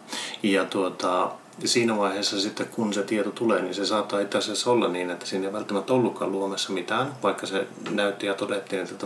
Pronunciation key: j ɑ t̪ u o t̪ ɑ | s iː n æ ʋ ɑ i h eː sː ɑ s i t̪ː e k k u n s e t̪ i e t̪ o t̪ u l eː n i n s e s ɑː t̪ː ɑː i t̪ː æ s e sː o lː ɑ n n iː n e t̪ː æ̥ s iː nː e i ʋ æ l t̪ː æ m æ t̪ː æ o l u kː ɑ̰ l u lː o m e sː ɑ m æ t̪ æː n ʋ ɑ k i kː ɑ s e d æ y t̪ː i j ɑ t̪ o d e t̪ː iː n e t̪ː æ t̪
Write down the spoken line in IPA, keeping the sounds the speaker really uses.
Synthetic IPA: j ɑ t̪ u o t̪ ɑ | s iː n æ ʋ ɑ i h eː sː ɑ s i t̪ː e k k u n s e t̪ i e t̪ o t̪ u l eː n i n s e s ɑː t̪ː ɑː i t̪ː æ s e sː o lː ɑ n n iː n e t̪ː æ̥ s iː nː e i ʋ æ l t̪ː æ m æ t̪ː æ o lː u kː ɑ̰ l u o m e sː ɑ m i t̪ æː n ʋ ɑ i kː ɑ s e n æ y t̪ː i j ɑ t̪ o d e t̪ː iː n e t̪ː æ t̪